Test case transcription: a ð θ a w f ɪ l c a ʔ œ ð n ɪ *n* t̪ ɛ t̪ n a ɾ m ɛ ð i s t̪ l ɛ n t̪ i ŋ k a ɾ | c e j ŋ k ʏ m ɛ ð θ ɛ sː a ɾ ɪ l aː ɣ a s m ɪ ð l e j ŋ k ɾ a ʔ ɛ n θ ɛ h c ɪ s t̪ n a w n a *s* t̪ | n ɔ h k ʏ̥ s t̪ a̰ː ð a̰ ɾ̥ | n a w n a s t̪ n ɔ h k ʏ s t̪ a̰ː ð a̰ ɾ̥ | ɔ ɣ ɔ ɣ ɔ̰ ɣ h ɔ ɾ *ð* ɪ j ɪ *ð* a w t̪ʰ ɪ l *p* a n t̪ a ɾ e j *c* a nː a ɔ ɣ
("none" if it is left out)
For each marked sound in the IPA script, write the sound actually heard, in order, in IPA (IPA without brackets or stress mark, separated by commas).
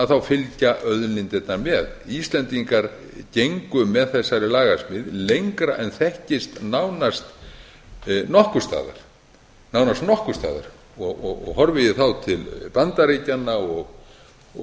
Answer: n, s, v, θ, p, c